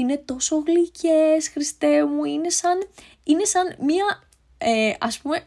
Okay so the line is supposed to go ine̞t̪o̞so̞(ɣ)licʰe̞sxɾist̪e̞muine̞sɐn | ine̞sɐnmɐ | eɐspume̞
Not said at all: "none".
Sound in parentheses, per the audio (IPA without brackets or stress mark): ɣ